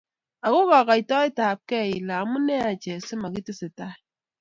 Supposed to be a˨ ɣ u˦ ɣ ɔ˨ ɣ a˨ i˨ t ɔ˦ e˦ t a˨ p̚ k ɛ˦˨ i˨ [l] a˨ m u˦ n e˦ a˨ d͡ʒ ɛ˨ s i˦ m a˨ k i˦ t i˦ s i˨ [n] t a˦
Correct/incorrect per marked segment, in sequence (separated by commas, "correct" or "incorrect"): correct, incorrect